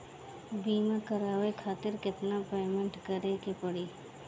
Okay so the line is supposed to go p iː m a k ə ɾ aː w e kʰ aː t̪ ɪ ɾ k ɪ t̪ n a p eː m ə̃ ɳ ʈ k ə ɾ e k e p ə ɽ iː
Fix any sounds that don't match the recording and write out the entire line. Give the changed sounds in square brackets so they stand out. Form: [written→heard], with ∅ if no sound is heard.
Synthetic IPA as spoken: [p→b] iː m a k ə ɾ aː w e kʰ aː t̪ ɪ ɾ k ɪ t̪ n a p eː m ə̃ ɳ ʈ k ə ɾ e k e p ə ɽ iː